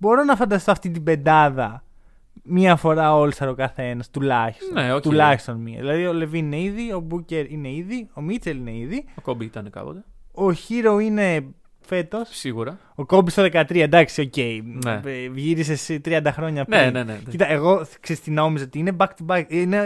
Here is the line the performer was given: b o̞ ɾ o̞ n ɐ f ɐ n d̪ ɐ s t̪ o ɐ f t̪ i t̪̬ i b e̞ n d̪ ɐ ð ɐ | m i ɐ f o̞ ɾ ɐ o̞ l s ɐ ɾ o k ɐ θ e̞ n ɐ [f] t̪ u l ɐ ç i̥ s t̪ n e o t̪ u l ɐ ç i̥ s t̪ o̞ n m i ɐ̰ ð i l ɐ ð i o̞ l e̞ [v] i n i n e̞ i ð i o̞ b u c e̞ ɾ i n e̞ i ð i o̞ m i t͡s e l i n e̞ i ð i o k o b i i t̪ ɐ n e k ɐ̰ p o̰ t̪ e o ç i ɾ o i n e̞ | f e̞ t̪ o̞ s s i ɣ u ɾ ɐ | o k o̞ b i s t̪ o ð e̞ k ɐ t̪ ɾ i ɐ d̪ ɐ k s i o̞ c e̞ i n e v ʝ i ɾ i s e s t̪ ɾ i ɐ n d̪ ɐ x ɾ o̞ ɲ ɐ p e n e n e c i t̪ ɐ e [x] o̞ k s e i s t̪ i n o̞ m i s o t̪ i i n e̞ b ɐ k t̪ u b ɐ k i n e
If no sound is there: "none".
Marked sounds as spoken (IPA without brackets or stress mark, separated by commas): s, v, ɣ